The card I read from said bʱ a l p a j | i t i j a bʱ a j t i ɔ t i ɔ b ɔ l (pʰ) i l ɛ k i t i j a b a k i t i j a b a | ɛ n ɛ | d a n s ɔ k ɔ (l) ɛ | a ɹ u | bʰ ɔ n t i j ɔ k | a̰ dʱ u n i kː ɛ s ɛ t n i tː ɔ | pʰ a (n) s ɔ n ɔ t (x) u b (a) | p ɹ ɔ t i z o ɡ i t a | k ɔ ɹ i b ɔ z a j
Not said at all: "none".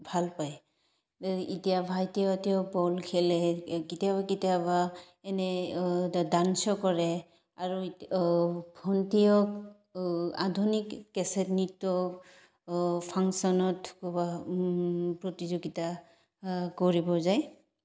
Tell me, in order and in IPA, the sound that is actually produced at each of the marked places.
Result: kʰ, ɹ, ŋ, k, a

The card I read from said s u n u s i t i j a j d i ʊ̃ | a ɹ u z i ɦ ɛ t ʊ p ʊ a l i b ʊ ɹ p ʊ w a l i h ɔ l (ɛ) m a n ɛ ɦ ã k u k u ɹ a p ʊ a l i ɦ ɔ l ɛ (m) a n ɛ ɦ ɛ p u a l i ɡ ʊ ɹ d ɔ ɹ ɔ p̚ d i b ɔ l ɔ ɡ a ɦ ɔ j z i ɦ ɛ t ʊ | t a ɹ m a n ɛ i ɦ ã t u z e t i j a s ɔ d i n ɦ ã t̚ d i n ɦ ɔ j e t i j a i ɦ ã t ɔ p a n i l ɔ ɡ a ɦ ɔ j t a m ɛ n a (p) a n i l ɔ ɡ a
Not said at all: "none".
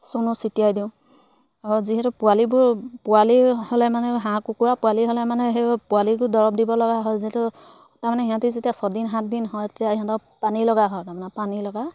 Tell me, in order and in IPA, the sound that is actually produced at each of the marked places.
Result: ɛ, m, p

